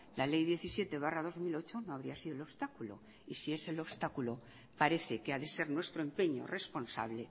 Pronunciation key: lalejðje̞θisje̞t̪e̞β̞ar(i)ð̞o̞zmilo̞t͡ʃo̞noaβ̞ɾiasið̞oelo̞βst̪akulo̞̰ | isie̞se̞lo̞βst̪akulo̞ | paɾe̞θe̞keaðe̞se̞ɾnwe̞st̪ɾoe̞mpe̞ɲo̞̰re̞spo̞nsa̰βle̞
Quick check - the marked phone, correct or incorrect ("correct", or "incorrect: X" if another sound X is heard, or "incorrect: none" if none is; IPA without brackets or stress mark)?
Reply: incorrect: a